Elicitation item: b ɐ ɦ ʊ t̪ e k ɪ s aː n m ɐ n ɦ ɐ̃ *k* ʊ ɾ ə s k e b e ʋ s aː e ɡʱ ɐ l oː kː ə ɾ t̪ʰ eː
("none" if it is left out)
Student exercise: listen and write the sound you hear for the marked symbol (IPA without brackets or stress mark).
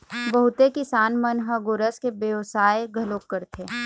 ɡ